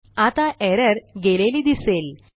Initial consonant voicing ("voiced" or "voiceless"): voiceless